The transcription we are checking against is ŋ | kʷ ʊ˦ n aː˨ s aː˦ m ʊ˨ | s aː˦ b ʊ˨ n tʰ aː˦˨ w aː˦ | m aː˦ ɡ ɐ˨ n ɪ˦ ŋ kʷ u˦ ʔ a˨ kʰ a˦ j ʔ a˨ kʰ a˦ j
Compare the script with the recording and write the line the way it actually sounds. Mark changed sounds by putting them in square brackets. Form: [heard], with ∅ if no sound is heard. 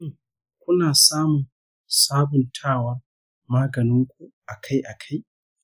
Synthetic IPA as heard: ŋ | kʷ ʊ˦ n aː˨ s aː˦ m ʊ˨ | s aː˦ b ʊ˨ n tʰ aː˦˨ w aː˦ | m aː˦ ɡ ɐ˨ n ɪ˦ ŋ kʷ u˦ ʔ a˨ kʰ a˦ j ʔ a˨ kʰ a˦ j